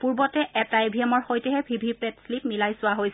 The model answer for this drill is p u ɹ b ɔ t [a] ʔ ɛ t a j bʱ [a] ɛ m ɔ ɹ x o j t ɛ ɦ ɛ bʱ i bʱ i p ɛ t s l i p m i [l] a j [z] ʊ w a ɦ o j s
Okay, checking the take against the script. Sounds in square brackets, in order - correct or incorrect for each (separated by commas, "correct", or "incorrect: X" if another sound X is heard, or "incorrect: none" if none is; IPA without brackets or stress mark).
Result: incorrect: ɛ, incorrect: i, correct, incorrect: s